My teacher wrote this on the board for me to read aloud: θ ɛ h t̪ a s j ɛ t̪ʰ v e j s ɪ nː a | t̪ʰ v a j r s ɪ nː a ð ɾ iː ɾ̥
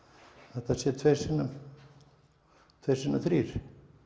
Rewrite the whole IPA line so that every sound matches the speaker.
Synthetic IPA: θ ɛ h t̪ a s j ɛ t̪ʰ v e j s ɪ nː a | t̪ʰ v e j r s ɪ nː a θ ɾ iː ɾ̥